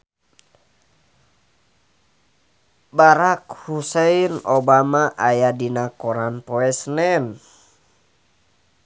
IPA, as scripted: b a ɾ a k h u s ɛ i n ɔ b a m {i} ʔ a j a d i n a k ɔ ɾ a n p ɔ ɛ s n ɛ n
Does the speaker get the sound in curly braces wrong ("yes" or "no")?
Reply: yes